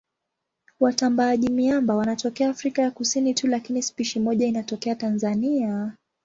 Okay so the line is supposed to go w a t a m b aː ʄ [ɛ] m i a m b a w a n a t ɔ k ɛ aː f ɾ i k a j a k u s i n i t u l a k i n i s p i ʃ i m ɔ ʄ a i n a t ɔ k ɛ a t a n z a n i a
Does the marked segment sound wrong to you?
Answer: yes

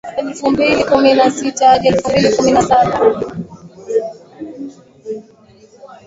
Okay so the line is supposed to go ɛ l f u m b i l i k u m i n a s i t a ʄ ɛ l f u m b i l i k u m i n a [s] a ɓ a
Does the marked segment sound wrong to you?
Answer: no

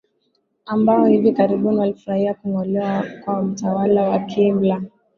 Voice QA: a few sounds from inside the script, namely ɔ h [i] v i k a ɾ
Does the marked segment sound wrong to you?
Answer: no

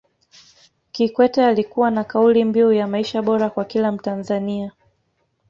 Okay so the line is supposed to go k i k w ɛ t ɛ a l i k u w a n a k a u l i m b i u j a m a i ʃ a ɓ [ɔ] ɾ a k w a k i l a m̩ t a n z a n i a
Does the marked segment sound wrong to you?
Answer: no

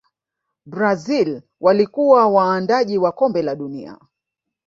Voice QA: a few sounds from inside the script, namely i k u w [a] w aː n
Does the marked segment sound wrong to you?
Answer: no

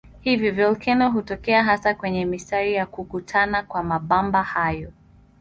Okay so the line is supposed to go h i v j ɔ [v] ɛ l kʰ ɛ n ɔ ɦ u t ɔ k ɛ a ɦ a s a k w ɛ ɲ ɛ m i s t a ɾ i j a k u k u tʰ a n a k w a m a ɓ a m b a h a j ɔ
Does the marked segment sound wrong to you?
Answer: no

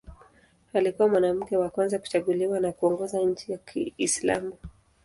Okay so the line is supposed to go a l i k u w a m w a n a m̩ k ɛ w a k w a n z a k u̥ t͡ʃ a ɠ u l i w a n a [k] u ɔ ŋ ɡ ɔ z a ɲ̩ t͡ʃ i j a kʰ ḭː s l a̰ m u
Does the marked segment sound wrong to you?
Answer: no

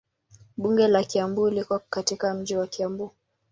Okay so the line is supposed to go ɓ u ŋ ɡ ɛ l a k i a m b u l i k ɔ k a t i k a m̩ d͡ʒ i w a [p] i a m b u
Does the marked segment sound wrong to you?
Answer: yes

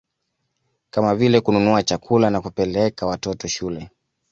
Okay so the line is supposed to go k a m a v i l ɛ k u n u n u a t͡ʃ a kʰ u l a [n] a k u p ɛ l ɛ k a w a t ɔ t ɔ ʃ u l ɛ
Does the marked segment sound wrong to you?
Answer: no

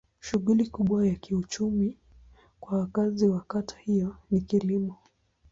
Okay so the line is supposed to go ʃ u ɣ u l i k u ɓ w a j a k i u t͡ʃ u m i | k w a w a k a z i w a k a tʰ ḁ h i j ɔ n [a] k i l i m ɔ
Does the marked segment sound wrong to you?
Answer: yes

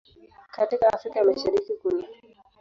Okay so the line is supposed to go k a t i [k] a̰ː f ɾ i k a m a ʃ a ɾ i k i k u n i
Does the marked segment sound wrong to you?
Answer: no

